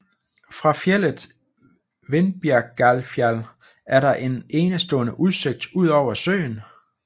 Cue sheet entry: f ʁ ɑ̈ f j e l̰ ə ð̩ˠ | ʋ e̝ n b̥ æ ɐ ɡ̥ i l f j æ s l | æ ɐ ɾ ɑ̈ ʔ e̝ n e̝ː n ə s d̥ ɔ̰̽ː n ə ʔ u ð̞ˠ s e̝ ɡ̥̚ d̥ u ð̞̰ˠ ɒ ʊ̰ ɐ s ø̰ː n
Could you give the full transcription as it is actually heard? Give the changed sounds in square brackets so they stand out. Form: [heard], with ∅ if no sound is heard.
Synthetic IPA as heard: f ʁ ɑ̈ f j e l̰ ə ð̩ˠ | ʋ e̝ n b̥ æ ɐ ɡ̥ [æ] l f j æ [∅] l | æ ɐ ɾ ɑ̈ ʔ e̝ n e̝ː n ə s d̥ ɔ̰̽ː n ə ʔ u ð̞ˠ s e̝ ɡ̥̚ d̥ u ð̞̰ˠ ɒ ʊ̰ ɐ s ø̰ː n